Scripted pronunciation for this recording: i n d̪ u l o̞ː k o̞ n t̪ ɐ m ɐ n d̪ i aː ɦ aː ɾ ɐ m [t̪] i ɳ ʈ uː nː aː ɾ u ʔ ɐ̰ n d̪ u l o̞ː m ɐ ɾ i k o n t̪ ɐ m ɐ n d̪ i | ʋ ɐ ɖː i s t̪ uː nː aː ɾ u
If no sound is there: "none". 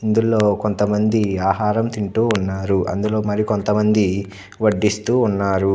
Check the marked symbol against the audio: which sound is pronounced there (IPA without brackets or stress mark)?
t̪